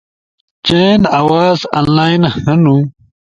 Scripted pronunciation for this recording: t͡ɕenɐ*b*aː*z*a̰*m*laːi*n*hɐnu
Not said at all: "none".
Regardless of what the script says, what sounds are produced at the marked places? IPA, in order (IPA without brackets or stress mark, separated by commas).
w, z, n, n